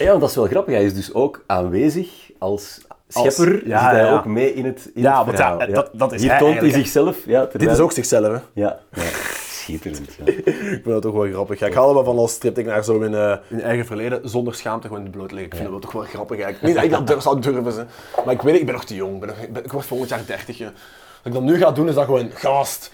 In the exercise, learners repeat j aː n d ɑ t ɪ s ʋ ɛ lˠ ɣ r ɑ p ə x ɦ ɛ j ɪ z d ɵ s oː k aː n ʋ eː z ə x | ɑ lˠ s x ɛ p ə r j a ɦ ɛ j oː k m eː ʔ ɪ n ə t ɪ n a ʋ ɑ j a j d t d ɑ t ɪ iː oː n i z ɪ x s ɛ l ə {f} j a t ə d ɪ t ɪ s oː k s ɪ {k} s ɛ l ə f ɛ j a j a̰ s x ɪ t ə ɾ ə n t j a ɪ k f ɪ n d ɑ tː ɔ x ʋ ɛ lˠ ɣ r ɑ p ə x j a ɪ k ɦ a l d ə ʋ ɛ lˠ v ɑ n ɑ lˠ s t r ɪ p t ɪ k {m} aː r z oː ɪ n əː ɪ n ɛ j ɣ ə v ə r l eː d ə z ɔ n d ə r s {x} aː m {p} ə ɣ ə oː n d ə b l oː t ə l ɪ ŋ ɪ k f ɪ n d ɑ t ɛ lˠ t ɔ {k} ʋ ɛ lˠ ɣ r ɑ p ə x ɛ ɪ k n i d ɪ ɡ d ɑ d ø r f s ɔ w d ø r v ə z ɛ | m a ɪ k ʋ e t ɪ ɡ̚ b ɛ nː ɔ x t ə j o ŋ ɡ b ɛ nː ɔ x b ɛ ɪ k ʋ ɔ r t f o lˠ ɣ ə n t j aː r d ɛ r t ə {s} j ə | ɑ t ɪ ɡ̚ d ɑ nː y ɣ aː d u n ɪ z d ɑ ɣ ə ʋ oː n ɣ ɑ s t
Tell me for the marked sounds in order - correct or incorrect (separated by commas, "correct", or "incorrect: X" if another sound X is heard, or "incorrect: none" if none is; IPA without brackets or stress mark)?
correct, incorrect: x, incorrect: n, correct, incorrect: t, incorrect: x, incorrect: x